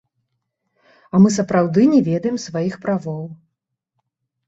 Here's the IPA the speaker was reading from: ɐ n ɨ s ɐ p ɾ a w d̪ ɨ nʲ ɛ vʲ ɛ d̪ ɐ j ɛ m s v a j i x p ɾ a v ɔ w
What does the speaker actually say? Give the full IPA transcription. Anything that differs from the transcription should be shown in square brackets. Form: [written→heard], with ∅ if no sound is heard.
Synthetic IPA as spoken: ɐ [n→m] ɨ s ɐ p ɾ a w d̪ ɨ nʲ ɛ vʲ ɛ d̪ ɐ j ɛ m s v a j i x p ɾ a v ɔ w